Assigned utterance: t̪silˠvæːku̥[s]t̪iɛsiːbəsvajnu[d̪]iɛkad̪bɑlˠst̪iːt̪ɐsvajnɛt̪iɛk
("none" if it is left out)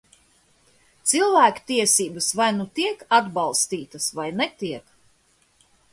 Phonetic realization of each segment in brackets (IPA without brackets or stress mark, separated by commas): none, t̪